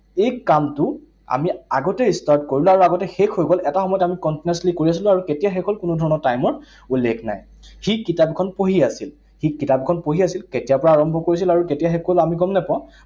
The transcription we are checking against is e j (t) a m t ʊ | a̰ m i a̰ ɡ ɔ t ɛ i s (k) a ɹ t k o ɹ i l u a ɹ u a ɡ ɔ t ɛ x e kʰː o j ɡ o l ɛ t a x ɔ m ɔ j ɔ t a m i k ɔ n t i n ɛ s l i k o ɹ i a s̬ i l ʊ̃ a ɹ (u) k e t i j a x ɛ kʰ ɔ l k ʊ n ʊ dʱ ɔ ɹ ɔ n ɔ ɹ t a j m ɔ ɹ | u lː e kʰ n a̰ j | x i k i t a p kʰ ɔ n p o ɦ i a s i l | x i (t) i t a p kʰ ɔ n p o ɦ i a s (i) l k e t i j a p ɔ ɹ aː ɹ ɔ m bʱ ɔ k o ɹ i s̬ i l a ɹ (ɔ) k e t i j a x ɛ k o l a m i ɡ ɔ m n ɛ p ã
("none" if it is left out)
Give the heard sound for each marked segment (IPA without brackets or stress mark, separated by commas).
k, t, u, k, i, u